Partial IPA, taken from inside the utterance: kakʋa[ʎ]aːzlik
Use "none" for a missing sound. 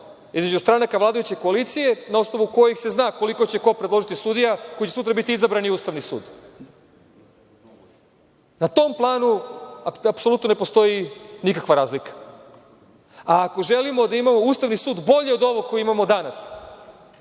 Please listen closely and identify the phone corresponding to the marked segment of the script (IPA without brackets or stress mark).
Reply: ɾ